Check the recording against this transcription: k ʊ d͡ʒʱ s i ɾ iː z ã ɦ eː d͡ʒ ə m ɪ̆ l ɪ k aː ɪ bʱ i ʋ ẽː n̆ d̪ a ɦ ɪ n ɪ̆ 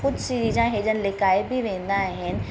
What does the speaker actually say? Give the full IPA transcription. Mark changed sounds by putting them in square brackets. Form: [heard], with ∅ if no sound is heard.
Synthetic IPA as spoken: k ʊ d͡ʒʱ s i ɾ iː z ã ɦ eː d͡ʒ ə [n] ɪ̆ l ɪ k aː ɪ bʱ i ʋ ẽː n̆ d̪ a ɦ ɪ n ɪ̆

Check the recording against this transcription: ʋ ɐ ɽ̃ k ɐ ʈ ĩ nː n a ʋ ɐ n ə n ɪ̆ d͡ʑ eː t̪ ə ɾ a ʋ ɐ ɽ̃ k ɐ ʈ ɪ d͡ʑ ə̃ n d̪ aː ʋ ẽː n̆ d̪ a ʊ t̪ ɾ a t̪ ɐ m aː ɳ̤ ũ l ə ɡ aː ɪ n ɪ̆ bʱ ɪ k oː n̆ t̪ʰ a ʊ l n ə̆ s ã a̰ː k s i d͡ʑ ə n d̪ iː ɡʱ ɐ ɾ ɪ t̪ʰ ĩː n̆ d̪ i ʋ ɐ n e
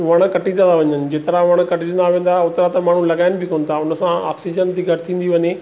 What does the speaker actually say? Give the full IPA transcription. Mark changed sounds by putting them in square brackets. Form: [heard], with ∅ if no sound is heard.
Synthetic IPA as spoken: ʋ ɐ ɽ̃ k ɐ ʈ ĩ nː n a ʋ ɐ [ɲ] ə n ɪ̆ d͡ʑ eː t̪ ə ɾ a ʋ ɐ ɽ̃ k ɐ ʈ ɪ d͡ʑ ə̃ n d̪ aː ʋ ẽː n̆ d̪ a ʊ t̪ ɾ a t̪ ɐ m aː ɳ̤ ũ l [ɐ] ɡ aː ɪ n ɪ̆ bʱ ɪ k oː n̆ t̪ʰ a ʊ [∅] n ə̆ s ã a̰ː k s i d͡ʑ ə n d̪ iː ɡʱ ɐ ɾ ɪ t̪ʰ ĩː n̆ d̪ i ʋ ɐ [ɲ] e

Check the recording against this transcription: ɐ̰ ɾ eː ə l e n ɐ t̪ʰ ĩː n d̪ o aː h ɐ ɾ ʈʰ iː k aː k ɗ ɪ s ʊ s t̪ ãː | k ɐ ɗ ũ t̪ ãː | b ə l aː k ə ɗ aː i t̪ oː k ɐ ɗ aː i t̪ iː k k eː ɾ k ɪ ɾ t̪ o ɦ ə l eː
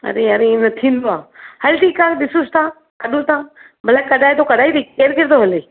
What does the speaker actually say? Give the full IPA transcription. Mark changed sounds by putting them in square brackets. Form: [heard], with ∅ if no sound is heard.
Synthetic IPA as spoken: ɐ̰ ɾ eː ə [ɾ] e n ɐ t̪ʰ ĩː n d̪ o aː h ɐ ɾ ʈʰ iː k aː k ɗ ɪ s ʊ s t̪ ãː | k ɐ ɗ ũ t̪ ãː | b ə l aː k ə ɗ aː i t̪ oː k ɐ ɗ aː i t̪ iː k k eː ɾ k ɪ ɾ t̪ o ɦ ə l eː

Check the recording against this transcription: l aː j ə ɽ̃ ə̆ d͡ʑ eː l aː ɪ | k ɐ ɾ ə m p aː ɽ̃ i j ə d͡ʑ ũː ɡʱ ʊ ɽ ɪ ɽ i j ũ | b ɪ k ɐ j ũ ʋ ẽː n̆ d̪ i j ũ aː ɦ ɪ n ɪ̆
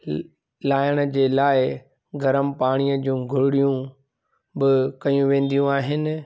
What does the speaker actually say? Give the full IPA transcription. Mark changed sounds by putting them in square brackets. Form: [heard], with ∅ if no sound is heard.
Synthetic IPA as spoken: l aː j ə ɽ̃ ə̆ d͡ʑ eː l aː ɪ | [ɡ] ɐ ɾ ə m p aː ɽ̃ i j ə d͡ʑ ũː ɡʱ ʊ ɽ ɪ ɽ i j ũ | b ɪ k ɐ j ũ ʋ ẽː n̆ d̪ i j ũ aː ɦ ɪ n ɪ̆

